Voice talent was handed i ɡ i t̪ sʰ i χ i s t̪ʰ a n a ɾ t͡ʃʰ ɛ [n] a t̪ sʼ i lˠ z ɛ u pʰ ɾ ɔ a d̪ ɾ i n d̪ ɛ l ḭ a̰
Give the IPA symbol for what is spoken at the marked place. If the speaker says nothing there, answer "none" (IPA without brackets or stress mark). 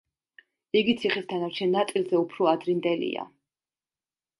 nː